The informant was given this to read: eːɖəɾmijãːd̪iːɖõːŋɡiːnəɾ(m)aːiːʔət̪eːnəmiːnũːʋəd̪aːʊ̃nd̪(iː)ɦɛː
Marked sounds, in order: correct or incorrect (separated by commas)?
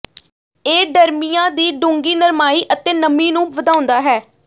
correct, incorrect